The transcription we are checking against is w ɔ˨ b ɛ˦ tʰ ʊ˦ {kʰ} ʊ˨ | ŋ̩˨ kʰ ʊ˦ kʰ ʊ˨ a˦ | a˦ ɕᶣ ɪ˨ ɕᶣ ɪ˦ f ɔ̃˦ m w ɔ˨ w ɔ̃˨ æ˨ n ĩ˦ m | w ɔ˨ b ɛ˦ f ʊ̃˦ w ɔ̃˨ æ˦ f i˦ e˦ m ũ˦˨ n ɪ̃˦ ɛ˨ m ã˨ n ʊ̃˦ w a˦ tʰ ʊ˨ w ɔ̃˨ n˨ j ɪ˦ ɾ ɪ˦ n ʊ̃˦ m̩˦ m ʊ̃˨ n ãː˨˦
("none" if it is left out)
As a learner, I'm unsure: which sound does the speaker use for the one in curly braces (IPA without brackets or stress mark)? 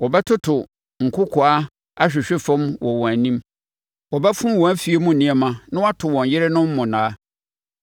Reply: tʰ